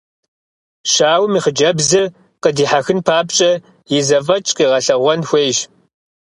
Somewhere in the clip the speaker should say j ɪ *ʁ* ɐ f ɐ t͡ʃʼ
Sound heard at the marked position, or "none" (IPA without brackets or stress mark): z